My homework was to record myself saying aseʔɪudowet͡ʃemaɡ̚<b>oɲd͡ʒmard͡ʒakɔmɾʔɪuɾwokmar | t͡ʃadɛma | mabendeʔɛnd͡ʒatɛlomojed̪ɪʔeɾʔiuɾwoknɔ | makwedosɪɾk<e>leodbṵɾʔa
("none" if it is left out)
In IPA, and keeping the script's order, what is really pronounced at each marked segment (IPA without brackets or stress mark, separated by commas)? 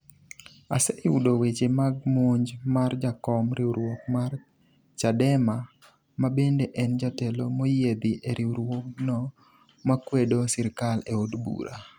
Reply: m, a